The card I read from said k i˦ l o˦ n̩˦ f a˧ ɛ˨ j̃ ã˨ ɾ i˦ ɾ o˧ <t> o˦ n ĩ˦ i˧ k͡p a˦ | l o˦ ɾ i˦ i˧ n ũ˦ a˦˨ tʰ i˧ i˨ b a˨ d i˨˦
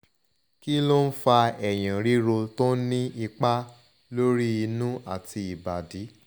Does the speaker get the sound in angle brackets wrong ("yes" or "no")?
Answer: no